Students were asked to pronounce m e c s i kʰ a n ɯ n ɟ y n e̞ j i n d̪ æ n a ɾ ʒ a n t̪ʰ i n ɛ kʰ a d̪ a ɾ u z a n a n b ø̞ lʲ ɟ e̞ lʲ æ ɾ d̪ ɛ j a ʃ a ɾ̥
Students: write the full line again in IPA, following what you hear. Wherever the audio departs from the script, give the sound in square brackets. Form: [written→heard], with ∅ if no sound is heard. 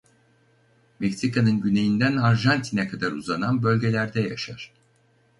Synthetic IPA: m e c s i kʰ a n ɯ n ɟ y n e̞ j i n d̪ æ n a ɾ ʒ a n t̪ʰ i n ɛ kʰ a d̪ a ɾ u z a n a n b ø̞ lʲ ɟ e̞ lʲ æ ɾ d̪ ɛ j a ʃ a ɾ̥